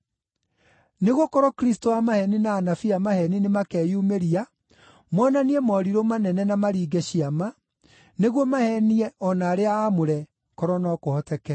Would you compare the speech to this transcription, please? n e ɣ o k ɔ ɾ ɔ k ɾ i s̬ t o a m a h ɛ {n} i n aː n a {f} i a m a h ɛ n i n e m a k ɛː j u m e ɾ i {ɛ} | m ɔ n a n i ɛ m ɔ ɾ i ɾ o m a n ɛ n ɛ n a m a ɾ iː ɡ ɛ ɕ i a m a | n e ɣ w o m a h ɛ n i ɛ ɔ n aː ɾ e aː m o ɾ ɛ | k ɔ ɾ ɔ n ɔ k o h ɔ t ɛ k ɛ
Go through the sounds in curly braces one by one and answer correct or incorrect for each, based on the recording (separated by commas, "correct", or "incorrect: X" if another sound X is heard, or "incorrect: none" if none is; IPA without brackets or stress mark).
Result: correct, correct, incorrect: a